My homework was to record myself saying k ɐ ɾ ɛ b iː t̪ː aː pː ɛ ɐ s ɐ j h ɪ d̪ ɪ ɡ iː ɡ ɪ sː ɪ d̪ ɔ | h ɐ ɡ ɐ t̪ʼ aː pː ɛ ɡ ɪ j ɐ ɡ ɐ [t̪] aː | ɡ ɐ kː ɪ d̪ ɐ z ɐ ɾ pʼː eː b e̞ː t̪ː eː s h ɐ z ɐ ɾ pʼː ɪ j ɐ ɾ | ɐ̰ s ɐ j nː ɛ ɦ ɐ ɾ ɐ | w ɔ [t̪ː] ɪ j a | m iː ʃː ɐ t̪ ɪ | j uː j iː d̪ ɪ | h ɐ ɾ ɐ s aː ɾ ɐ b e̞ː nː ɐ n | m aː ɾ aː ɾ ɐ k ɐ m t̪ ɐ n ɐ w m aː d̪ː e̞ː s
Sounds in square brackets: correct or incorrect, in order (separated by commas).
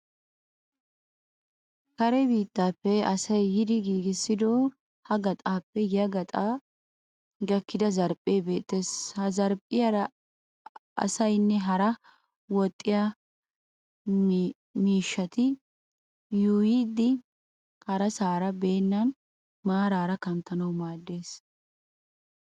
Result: incorrect, incorrect